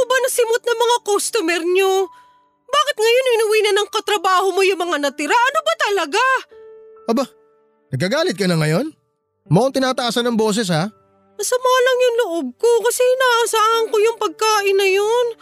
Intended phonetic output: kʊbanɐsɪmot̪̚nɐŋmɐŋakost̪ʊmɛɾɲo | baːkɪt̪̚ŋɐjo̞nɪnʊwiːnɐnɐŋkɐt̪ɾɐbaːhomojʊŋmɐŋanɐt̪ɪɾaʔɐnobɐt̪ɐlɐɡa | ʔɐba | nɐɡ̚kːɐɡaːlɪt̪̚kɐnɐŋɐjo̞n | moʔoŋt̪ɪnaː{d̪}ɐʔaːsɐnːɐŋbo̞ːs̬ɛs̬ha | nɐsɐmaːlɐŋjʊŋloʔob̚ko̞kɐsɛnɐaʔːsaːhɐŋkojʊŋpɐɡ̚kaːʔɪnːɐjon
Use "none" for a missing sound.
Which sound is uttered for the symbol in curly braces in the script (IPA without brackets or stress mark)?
t̪